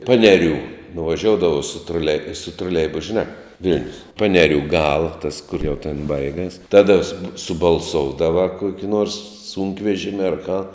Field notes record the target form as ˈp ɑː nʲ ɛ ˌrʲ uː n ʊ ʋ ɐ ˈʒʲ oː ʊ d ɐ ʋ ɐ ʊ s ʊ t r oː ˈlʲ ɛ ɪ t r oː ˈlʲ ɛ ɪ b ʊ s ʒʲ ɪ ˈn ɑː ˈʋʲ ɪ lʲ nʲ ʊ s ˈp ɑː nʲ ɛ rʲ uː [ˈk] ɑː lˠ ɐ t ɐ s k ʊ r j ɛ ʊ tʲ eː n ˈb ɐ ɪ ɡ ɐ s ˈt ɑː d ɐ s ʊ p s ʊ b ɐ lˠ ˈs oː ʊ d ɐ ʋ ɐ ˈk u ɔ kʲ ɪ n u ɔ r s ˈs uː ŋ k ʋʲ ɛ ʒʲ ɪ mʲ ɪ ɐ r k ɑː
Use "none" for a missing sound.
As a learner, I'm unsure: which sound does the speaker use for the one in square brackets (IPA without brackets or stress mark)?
ɡ